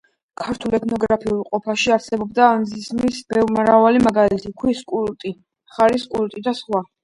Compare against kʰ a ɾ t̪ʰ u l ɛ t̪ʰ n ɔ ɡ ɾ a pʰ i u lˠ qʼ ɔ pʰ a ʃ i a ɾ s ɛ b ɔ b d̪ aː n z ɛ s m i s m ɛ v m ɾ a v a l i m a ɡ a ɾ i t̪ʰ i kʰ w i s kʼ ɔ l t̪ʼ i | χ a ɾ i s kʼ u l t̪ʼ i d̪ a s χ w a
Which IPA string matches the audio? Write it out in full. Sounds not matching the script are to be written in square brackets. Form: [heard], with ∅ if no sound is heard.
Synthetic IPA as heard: kʰ a ɾ t̪ʰ u l ɛ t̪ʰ n ɔ ɡ ɾ a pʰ i u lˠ qʼ ɔ pʰ a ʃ i a ɾ s ɛ b ɔ b d̪ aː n z [i] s m i s [b] ɛ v m ɾ a v a l i m a ɡ a [l] i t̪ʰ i kʰ w i s kʼ [u] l t̪ʼ i | χ a ɾ i s kʼ u l t̪ʼ i d̪ a s χ w a